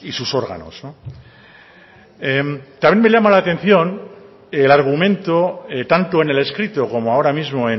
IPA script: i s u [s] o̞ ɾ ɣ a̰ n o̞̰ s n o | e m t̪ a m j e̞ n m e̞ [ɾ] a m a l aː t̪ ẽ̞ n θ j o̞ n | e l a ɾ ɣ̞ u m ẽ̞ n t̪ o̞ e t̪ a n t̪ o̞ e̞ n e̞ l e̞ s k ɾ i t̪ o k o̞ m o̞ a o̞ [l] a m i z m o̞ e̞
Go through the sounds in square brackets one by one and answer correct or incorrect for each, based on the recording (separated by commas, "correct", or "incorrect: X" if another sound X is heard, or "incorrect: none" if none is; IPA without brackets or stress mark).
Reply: correct, incorrect: ʎ, incorrect: ɾ